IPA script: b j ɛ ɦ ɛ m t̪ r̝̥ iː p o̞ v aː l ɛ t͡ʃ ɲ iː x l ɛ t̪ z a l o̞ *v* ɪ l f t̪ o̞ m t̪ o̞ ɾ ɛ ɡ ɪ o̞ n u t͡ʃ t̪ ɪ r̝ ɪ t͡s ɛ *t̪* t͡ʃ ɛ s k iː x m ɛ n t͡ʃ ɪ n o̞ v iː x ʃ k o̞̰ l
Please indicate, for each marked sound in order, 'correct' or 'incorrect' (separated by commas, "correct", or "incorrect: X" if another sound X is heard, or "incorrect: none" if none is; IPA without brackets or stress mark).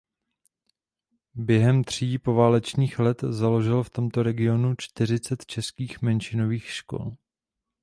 incorrect: ʒ, correct